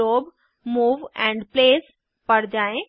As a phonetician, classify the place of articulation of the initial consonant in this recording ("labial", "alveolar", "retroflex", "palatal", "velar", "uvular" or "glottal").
labial